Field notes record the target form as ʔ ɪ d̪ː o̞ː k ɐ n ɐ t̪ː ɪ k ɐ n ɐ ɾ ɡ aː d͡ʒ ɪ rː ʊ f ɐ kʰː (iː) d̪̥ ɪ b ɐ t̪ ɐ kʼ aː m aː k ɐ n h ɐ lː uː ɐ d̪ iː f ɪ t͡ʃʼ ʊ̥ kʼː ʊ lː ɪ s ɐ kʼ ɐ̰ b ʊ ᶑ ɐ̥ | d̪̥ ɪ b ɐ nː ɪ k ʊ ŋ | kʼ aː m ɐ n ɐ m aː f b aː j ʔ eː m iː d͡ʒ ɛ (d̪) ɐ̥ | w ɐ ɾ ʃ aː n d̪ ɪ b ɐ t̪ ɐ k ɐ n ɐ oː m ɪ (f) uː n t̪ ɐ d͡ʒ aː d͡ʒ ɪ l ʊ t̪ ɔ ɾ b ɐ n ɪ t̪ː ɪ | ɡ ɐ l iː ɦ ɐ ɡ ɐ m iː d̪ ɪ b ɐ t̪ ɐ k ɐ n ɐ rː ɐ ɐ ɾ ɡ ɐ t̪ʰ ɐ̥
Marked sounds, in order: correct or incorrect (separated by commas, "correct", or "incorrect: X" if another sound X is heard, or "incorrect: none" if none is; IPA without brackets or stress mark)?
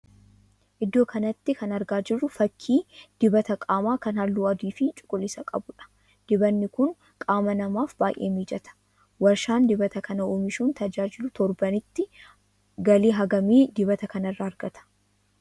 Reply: correct, incorrect: t̪, incorrect: ʃ